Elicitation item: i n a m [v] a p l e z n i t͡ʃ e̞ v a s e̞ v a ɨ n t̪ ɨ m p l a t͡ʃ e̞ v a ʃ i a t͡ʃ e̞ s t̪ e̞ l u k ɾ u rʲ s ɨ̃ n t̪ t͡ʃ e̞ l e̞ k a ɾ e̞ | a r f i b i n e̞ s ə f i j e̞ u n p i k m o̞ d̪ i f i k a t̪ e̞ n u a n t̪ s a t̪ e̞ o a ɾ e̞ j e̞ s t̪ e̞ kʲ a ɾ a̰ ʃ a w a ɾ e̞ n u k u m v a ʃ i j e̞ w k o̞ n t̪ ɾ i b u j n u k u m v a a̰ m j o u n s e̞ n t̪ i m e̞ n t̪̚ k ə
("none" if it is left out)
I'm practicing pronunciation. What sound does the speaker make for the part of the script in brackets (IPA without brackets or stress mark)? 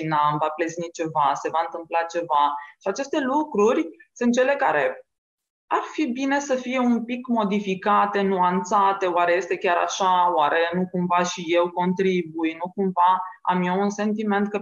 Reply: v